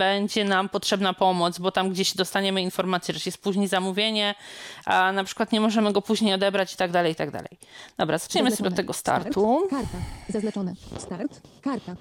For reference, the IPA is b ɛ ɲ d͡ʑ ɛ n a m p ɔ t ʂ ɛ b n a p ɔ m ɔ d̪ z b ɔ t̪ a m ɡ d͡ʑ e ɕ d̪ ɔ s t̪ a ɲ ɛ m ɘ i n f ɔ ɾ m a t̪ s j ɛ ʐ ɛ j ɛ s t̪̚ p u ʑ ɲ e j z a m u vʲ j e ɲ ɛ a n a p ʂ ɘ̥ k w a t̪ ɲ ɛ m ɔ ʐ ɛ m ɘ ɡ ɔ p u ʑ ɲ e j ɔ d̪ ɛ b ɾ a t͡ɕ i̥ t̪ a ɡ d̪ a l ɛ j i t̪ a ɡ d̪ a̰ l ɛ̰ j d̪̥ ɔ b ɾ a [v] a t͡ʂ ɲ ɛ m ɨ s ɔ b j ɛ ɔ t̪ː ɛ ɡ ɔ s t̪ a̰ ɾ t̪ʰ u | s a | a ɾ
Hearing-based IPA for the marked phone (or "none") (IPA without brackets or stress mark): z